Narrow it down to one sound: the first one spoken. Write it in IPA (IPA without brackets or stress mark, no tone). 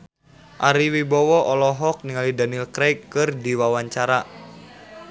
ʔ